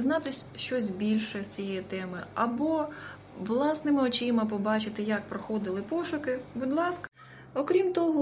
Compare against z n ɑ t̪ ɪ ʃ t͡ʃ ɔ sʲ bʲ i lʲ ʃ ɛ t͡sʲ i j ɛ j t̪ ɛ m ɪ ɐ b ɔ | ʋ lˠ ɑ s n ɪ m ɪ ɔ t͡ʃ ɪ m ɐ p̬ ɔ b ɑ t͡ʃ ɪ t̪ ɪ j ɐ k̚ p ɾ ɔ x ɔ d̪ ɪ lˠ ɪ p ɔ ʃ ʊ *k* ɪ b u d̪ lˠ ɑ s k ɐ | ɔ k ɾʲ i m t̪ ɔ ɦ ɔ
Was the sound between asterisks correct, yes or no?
yes